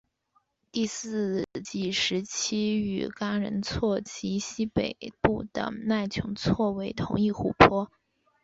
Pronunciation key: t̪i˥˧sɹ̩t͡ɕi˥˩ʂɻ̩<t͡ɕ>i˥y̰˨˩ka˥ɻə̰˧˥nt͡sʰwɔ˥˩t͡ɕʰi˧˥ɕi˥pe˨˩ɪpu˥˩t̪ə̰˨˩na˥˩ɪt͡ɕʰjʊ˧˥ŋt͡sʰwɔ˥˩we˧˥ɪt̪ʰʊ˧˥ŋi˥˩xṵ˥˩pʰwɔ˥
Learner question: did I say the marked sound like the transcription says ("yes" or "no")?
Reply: no